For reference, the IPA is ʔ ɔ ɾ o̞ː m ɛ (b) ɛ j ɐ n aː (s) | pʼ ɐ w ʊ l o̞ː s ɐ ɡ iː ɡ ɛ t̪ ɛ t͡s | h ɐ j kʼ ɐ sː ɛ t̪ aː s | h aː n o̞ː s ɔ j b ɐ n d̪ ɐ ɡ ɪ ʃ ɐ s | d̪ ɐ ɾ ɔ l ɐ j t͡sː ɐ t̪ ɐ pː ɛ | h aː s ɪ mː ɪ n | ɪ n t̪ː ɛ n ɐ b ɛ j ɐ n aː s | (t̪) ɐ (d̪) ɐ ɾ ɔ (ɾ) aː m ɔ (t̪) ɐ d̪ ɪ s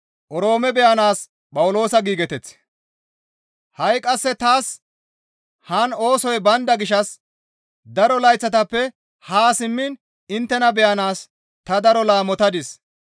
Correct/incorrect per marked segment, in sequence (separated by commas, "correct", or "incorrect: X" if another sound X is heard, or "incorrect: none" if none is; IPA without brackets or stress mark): correct, correct, correct, correct, incorrect: l, correct